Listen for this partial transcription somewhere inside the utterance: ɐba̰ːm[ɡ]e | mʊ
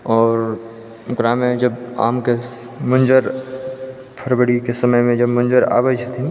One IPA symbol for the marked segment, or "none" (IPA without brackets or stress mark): k